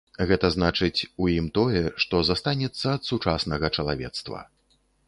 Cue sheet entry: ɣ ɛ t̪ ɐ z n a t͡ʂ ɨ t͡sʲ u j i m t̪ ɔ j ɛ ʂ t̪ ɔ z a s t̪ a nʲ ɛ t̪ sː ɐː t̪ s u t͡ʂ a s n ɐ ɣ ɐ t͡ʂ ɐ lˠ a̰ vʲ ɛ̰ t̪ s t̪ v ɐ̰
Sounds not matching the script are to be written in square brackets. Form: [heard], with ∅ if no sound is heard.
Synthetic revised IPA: ɣ ɛ t̪ ɐ z n a t͡ʂ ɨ t͡sʲ u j i m t̪ ɔ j ɛ ʂ t̪ ɔ z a s t̪ a nʲ ɛ t̪ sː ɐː t̪ s u t͡ʂ a s n ɐ ɣ ɐ t͡ʂ ɐ lˠ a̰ vʲ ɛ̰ t̪ s t̪ v ɐ̰